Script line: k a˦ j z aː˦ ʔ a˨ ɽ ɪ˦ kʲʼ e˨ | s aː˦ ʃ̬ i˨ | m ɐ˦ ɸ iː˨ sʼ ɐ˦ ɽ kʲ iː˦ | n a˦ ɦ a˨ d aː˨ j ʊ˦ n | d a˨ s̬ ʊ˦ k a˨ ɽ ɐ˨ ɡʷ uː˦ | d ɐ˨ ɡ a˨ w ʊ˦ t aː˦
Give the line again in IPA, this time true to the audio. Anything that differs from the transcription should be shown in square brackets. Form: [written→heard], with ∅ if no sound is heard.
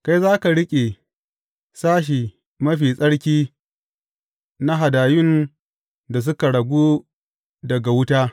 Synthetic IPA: k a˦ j z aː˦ [ʔ→k] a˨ ɽ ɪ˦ kʲʼ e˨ | s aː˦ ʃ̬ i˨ | m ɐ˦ ɸ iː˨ sʼ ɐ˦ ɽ kʲ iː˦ | n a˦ ɦ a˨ d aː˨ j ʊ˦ n | d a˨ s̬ ʊ˦ k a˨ ɽ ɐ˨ ɡʷ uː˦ | d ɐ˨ ɡ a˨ w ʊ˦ t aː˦